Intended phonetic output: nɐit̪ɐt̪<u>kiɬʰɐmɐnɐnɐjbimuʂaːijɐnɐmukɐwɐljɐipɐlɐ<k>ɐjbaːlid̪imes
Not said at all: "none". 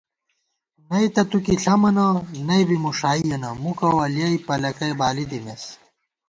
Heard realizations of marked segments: u, k

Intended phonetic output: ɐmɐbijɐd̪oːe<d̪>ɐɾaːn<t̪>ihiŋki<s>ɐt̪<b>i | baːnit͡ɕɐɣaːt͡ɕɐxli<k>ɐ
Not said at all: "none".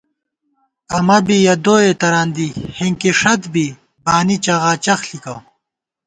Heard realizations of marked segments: t̪, d̪, ʂ, b, k

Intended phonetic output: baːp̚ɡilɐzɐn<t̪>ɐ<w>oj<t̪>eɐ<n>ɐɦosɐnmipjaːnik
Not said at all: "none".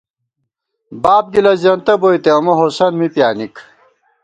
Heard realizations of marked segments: t̪, b, t̪, m

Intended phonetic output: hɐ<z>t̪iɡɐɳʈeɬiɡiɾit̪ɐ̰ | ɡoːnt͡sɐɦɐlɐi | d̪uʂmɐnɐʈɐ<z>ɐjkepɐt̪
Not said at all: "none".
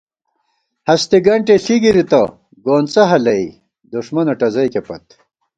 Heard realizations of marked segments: s, z

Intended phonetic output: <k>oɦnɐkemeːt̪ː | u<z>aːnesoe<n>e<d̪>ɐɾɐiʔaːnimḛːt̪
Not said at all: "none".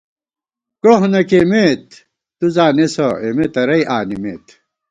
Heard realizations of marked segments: k, z, m, t̪

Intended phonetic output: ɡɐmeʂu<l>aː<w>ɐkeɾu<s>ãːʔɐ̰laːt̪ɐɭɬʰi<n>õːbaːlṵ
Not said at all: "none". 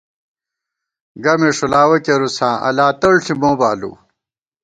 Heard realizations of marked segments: l, w, s, m

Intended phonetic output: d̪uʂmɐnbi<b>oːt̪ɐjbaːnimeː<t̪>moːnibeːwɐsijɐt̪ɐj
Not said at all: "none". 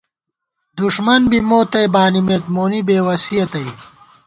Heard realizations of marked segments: m, t̪

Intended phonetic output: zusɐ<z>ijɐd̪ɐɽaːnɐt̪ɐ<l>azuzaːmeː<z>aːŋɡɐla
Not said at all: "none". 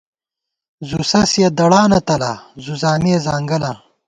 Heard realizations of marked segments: s, l, z

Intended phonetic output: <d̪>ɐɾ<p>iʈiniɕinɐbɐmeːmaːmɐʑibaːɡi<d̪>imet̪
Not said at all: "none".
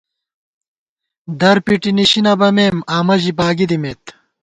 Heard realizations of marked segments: d̪, p, d̪

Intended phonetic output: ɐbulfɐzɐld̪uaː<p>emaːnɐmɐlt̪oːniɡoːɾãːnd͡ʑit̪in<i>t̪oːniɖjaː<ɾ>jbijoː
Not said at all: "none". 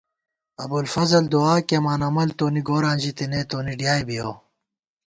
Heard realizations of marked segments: k, e, none

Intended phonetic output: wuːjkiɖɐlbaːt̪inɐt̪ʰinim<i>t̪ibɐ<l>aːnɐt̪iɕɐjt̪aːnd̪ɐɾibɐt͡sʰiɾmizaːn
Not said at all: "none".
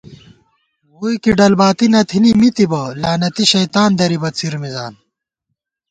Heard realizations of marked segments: i, l

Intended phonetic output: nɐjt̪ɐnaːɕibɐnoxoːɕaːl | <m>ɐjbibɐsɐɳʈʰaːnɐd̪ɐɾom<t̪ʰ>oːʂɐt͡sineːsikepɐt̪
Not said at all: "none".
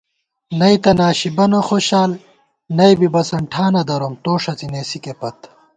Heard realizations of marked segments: n, t̪

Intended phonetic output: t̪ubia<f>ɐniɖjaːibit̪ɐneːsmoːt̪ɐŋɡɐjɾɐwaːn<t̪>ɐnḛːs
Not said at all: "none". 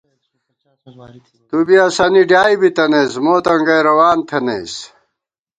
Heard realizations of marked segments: s, t̪ʰ

